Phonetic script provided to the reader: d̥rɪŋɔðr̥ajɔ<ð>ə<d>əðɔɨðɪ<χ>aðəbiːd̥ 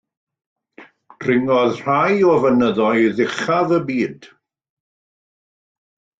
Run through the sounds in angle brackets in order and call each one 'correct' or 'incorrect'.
incorrect: v, incorrect: n, correct

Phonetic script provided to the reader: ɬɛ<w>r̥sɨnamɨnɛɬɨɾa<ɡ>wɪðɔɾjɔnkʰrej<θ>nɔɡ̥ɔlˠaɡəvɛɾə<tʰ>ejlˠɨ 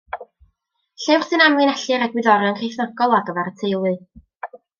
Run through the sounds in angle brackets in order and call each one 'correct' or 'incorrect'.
correct, correct, correct, correct

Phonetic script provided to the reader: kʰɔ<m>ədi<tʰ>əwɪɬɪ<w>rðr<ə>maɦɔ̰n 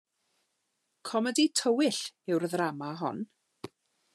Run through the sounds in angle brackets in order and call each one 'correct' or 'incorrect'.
correct, correct, correct, incorrect: a

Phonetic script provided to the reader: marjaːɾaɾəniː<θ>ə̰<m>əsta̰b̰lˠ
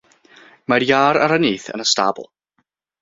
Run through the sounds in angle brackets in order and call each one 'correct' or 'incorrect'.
correct, incorrect: n

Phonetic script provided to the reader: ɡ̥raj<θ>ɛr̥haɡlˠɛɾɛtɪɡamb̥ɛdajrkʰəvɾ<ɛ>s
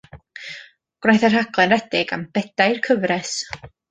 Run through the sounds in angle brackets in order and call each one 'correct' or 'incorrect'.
correct, correct

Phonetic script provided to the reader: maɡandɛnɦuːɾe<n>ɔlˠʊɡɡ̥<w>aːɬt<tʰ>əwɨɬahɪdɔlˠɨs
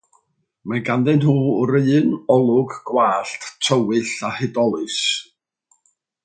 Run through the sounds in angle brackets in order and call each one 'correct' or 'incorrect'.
correct, correct, correct

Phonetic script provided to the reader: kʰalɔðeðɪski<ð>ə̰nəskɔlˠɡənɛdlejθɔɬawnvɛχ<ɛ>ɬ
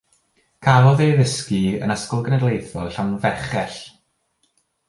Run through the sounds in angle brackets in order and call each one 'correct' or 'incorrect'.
incorrect: none, correct

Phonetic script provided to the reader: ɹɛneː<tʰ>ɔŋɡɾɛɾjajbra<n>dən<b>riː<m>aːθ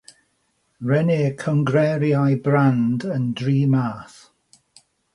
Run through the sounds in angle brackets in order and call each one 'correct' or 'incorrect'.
incorrect: kʰ, correct, incorrect: d, correct

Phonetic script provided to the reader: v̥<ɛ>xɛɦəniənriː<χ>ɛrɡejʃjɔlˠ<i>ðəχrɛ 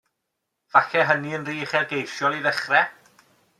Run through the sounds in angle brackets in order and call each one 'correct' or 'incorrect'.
incorrect: a, correct, correct

